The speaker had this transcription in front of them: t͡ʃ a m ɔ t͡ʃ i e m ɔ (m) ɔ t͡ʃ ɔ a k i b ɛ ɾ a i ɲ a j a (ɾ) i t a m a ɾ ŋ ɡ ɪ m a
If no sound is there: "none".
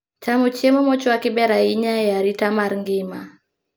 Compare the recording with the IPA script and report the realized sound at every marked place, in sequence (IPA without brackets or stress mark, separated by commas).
m, ɾ